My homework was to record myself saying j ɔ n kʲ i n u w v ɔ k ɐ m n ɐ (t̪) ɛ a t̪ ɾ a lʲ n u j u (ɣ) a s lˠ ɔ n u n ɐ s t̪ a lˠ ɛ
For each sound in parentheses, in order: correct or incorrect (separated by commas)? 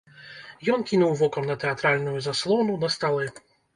correct, incorrect